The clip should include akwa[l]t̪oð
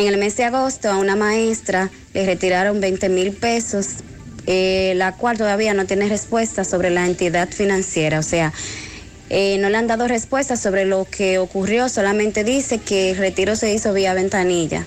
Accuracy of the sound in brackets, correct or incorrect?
correct